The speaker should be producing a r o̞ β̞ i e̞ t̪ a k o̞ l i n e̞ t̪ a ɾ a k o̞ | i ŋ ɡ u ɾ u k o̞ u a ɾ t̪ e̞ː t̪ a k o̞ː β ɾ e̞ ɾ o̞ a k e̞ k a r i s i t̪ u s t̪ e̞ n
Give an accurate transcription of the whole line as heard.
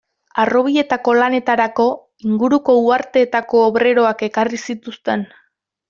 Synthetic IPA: a r o̞ β̞ i e̞ t̪ a k o̞ l a n e̞ t̪ a ɾ a k o̞ | i ŋ ɡ u ɾ u k o̞ u a ɾ t̪ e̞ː t̪ a k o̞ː β ɾ e̞ ɾ o̞ a k e̞ k a r i s i t̪ u s t̪ e̞ n